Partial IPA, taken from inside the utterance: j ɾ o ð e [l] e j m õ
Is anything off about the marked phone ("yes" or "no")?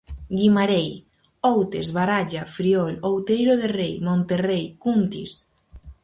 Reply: yes